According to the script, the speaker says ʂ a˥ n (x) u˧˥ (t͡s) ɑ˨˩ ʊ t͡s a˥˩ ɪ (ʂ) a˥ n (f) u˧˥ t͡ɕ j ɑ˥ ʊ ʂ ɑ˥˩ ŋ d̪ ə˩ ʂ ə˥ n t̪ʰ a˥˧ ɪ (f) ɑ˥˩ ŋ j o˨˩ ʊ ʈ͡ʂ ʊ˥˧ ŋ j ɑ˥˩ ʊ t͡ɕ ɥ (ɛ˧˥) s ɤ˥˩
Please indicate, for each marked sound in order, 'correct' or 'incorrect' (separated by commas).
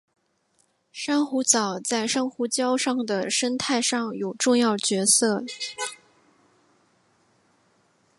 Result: correct, correct, correct, incorrect, incorrect, correct